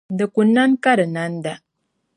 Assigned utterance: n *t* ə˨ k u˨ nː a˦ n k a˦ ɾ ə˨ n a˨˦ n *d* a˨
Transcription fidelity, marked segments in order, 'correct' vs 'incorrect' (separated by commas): incorrect, correct